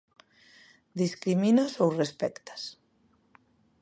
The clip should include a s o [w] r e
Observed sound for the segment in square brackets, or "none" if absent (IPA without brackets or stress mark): w